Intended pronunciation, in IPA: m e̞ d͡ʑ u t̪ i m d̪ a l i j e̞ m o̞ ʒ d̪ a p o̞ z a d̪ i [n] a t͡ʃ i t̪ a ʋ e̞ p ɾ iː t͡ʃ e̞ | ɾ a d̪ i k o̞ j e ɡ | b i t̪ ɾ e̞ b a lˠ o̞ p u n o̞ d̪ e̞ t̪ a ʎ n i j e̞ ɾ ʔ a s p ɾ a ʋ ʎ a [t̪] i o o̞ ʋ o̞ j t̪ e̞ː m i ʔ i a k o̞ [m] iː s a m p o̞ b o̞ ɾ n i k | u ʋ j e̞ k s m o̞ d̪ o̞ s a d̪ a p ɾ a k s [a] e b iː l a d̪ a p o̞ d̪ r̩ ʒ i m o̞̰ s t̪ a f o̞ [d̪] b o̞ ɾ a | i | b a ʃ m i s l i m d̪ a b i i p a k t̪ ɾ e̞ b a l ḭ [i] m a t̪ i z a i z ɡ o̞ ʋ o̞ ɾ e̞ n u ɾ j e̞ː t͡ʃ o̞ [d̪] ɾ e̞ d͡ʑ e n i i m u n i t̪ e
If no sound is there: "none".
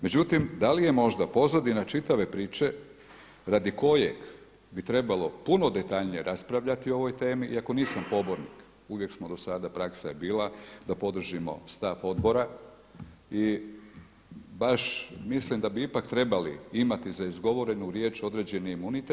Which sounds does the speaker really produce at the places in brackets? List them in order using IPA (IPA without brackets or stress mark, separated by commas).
n, t̪, n, a, d̪, i, d̪